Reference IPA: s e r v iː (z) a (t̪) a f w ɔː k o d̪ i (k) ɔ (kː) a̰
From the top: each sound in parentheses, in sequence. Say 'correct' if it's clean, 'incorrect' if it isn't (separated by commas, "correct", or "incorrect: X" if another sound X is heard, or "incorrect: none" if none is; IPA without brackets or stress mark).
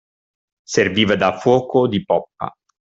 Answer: incorrect: v, incorrect: d̪, incorrect: p, incorrect: pː